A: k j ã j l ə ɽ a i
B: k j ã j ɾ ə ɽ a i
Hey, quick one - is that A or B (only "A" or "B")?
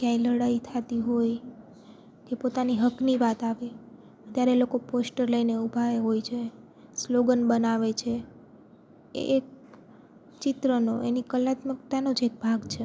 A